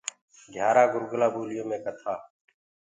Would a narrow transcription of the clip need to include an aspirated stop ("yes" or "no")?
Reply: yes